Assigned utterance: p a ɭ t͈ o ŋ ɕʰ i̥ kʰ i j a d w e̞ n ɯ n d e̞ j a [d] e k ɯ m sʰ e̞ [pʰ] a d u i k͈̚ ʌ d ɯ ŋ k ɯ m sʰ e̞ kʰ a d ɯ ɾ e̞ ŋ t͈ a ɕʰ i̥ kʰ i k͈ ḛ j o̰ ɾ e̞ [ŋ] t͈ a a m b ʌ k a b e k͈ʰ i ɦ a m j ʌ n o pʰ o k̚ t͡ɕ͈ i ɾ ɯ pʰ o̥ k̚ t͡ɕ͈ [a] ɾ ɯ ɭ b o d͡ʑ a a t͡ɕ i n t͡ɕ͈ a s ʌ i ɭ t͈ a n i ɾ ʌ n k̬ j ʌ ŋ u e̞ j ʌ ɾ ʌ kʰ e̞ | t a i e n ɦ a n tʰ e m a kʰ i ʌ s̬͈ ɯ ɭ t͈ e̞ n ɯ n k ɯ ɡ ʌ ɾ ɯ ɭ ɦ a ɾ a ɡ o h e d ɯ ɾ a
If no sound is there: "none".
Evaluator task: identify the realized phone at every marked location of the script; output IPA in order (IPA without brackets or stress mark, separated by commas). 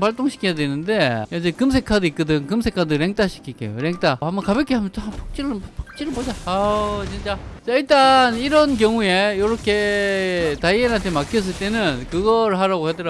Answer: d͡ʑ, kʰ, ŋ, i